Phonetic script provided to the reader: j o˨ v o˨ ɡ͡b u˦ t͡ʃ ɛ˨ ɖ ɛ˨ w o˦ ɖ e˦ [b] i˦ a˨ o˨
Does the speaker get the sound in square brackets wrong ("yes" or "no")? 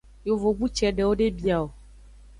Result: no